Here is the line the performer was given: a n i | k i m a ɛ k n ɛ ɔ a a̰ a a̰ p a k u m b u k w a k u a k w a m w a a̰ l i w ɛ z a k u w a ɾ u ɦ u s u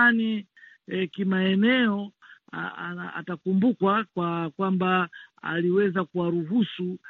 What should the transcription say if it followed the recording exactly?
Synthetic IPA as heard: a n i | k i m a ɛ n ɛ ɔ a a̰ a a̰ t a k u m b u k w a k w a k w a m b a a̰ l i w ɛ z a k u w a ɾ u ɦ u s u